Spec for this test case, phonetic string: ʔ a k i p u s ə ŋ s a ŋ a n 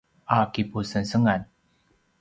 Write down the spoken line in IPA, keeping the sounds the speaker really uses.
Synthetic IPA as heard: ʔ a k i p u s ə n s ə ŋ a n